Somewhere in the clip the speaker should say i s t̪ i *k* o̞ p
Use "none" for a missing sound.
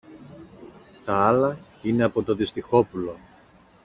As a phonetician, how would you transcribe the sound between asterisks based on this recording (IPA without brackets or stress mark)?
x